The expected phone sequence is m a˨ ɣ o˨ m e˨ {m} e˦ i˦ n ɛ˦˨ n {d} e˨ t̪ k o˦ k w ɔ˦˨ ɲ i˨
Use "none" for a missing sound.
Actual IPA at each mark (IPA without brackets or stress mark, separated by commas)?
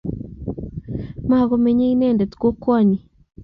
ɲ, d